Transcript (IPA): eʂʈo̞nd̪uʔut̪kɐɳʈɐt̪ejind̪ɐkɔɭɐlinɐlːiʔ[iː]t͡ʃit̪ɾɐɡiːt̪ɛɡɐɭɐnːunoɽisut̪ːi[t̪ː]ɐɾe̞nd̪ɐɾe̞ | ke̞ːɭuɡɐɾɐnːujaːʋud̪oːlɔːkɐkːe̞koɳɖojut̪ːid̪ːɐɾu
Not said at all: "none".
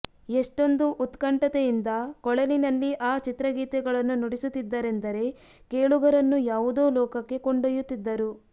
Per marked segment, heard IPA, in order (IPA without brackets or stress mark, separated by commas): aː, d̪ː